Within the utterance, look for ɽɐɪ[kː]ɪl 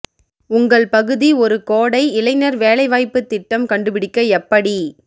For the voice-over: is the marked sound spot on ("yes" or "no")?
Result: no